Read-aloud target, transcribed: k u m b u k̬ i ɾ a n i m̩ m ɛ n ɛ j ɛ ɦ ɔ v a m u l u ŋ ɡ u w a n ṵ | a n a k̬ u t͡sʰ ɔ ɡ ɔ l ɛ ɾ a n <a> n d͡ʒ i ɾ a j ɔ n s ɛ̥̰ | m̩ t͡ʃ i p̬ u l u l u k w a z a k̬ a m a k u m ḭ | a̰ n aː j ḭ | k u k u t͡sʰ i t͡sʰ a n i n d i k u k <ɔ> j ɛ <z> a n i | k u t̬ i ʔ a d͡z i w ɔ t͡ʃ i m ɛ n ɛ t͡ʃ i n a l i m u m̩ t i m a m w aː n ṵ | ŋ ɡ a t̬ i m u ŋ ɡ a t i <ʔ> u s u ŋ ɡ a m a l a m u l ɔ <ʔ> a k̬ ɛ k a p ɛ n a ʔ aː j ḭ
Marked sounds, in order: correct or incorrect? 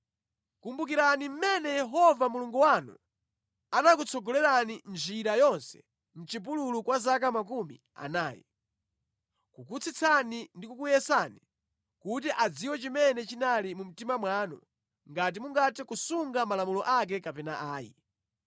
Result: incorrect, incorrect, incorrect, incorrect, correct

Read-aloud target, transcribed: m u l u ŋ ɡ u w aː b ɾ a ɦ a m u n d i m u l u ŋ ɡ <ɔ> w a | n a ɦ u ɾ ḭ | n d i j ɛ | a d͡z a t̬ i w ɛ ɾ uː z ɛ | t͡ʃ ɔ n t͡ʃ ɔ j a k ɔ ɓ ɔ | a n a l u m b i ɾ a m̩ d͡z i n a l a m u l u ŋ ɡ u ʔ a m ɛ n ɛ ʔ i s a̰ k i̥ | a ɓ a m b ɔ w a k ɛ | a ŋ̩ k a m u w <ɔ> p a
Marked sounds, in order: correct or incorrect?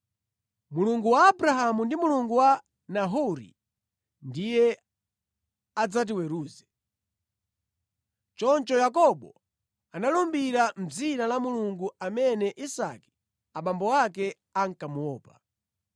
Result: incorrect, incorrect

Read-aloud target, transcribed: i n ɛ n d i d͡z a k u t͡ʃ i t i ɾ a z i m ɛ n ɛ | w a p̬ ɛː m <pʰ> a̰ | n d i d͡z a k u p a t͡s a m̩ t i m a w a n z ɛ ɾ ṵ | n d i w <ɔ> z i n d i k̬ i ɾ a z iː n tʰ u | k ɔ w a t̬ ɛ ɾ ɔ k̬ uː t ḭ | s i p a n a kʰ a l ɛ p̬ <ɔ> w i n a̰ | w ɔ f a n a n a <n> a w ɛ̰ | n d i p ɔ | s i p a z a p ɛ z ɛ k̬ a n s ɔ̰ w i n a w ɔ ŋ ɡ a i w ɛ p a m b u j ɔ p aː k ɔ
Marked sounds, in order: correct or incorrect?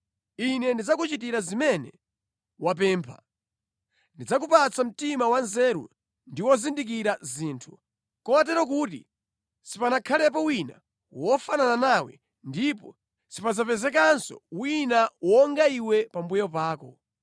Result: correct, correct, correct, correct

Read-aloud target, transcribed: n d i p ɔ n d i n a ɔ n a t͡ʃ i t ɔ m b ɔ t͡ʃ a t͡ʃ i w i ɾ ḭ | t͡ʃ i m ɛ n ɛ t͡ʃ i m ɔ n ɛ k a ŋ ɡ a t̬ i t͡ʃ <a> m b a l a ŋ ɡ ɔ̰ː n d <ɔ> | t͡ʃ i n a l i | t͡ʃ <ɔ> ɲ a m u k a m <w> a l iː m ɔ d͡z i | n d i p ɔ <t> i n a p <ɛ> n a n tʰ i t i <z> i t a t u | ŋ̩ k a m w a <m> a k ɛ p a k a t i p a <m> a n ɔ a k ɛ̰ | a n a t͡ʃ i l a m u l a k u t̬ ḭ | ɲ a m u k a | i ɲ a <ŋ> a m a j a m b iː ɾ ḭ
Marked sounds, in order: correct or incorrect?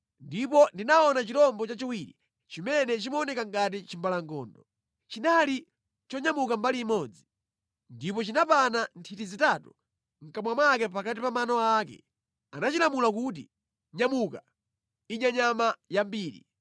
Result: incorrect, correct, correct, incorrect, incorrect, incorrect, correct, correct, correct, incorrect

